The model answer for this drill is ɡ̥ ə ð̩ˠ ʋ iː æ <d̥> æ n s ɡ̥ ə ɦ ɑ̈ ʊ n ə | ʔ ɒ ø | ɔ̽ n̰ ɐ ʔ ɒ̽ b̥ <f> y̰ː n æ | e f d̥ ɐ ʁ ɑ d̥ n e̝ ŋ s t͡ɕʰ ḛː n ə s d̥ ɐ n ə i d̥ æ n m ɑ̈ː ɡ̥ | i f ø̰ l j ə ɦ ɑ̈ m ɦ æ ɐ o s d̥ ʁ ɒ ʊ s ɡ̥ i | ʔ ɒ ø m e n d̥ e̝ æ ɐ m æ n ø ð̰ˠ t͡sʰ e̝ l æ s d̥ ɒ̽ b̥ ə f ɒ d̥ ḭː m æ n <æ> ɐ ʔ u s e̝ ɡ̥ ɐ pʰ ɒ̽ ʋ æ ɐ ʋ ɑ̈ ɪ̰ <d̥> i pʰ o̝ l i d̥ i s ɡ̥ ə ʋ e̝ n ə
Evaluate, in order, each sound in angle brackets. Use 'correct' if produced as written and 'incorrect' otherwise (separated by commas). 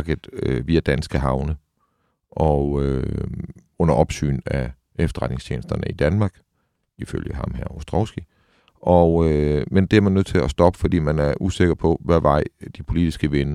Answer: correct, incorrect, correct, correct